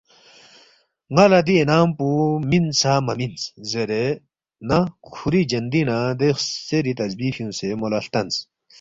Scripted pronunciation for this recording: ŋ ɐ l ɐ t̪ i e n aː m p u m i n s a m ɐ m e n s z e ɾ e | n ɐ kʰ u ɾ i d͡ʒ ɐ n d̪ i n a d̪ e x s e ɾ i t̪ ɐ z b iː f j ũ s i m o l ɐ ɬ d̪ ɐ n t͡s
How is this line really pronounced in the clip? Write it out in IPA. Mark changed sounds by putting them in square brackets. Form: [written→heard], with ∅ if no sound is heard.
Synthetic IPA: ŋ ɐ l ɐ [t̪→d̪] i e n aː m p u m i n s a m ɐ m [e→i] n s z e ɾ e | n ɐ kʰ u ɾ i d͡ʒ ɐ n d̪ i n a d̪ e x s e ɾ i t̪ ɐ z b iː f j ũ s [i→e] m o l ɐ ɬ [d̪→t̪] ɐ n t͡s